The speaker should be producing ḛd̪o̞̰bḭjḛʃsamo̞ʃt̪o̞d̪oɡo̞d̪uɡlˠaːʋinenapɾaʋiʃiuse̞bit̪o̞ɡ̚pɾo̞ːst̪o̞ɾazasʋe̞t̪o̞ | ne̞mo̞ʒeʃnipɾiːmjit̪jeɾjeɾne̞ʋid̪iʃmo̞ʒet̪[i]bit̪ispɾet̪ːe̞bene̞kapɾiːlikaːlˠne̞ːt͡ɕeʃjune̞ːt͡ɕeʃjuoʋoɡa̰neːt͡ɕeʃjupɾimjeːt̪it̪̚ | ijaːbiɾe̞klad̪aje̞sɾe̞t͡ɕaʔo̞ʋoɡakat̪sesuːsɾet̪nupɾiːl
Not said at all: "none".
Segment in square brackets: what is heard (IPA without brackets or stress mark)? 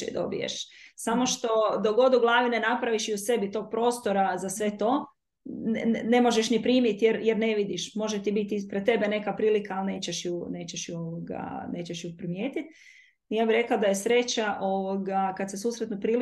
i